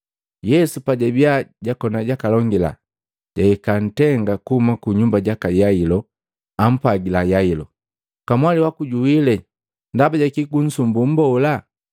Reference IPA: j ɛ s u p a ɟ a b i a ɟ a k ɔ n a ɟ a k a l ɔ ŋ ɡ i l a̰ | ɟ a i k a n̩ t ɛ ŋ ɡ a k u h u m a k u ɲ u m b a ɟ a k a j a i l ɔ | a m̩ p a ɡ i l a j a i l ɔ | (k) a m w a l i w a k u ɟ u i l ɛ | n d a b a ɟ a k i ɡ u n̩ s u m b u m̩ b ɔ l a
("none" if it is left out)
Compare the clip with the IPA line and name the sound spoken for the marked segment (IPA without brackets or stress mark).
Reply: k